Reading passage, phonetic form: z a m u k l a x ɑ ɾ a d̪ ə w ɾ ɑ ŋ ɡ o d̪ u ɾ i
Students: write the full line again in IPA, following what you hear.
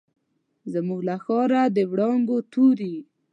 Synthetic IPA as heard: z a m u ɡ l a x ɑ ɾ a d̪ ə w ɽ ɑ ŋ ɡ o t̪ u ɾ i